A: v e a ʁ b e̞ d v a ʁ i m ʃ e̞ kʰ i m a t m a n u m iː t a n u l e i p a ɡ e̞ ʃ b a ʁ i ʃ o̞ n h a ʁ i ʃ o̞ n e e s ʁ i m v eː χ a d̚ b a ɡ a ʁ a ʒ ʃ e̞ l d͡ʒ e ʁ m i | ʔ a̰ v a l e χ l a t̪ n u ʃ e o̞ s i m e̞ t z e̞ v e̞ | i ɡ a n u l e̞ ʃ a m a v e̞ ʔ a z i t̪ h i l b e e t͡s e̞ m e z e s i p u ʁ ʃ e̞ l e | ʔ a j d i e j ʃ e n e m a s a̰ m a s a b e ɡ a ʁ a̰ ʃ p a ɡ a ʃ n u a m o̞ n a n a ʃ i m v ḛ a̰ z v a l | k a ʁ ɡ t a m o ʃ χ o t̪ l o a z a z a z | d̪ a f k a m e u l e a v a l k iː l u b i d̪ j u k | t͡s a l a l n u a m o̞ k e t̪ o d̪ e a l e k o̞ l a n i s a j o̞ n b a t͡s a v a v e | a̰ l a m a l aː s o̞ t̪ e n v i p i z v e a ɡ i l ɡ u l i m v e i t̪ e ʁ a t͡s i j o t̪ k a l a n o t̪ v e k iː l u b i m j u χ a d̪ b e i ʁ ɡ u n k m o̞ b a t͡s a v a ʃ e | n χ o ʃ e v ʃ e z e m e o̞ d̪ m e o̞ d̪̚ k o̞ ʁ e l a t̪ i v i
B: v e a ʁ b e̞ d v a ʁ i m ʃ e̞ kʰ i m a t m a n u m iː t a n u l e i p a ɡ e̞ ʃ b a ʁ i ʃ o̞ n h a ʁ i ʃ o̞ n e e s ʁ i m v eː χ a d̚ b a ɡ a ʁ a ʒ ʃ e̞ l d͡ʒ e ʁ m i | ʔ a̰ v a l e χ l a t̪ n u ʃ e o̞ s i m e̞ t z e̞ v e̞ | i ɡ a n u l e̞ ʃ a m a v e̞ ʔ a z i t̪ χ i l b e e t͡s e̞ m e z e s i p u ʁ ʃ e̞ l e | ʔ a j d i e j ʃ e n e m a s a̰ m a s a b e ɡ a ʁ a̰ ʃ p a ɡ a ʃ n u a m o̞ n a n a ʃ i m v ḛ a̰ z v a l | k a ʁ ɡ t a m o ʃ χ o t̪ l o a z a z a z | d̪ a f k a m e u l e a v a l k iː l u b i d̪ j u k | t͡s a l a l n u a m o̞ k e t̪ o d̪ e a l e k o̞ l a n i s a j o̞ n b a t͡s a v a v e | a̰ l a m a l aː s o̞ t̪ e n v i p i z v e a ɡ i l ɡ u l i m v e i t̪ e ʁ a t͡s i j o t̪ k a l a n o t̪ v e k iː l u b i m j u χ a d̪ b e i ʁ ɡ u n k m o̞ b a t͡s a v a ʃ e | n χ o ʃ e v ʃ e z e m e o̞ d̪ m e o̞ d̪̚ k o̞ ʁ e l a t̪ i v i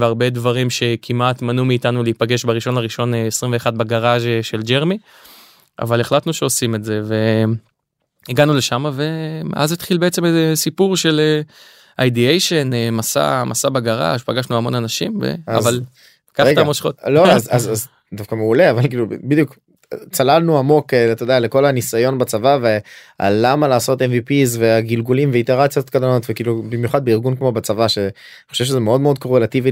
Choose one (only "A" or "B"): B